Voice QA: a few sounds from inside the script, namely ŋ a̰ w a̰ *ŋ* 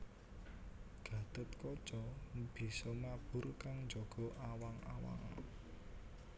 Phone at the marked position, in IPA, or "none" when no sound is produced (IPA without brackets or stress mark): ŋ